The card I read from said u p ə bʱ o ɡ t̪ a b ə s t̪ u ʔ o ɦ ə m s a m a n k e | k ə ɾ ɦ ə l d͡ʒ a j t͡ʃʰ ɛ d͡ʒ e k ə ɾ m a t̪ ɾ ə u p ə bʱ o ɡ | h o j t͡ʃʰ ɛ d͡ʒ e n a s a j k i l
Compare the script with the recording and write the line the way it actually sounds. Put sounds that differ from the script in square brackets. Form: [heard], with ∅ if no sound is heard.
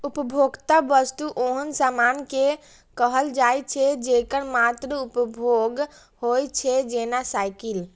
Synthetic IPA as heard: u p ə bʱ o ɡ t̪ a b ə s t̪ u ʔ o ɦ ə [n] s a m a n k e | k ə [∅] ɦ ə l d͡ʒ a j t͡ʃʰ ɛ d͡ʒ e k ə ɾ m a t̪ ɾ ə u p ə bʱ o ɡ | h o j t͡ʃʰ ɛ d͡ʒ e n a s a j k i l